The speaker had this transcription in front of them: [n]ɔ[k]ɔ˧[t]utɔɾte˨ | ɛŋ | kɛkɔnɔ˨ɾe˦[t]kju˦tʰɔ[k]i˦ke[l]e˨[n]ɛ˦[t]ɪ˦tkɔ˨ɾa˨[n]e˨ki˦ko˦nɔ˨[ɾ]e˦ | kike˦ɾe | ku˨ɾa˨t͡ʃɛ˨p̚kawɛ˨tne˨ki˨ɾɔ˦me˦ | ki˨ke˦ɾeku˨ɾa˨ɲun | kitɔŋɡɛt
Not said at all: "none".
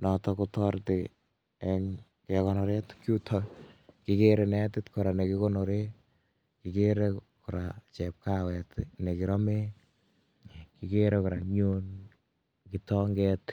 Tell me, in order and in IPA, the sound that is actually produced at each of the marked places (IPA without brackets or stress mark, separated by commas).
n, t, k, t, k, ɾ, n, t, n, ɾ